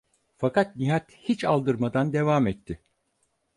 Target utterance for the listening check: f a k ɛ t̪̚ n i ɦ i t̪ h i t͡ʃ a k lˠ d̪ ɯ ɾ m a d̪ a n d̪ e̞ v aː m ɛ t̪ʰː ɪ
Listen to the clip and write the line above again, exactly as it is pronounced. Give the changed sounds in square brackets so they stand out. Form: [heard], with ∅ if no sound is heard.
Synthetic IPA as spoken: f a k [a] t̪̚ n i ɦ [a] t̪ h i t͡ʃ a [∅] lˠ d̪ ɯ ɾ m a d̪ a n d̪ e̞ v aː m ɛ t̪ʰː ɪ